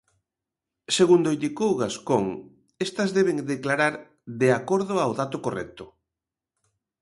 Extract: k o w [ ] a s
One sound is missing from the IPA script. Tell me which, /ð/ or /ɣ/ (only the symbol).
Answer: ɣ